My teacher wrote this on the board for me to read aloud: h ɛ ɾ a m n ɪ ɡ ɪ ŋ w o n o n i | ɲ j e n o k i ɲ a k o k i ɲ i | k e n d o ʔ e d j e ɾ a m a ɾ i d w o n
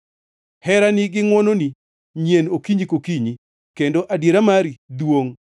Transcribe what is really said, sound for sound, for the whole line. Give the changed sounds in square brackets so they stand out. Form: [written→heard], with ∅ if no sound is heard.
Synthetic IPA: h ɛ ɾ a [m→∅] n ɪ ɡ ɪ ŋ w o n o n i | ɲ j e n o k i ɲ [a→i] k o k i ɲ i | k e n d o ʔ [e→a] d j e ɾ a m a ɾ i d w o [n→ŋ]